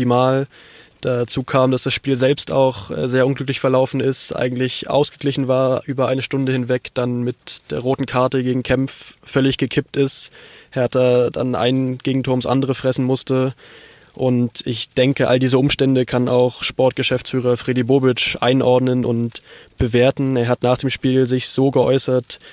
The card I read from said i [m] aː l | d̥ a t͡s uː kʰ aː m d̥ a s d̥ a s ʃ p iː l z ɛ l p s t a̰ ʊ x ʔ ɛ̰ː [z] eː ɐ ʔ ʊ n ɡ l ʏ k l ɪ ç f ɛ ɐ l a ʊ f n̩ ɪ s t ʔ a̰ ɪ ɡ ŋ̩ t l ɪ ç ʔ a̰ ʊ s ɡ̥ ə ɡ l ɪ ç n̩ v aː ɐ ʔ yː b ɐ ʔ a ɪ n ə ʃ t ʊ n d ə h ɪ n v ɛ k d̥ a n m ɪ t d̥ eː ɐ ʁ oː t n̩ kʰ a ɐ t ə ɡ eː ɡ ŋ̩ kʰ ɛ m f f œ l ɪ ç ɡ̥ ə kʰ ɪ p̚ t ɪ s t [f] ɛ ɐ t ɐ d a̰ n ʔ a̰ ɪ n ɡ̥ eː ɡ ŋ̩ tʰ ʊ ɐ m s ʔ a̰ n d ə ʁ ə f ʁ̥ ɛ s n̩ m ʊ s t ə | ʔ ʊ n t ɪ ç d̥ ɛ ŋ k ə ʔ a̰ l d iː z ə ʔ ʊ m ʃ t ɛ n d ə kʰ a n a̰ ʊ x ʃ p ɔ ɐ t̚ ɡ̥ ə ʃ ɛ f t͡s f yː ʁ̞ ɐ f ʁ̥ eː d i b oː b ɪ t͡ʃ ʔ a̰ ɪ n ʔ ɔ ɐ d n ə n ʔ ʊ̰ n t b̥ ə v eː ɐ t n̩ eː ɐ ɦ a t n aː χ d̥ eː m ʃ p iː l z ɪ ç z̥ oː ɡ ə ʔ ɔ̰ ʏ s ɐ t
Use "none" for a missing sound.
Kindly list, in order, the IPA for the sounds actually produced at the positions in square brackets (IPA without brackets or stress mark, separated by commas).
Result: m, z, h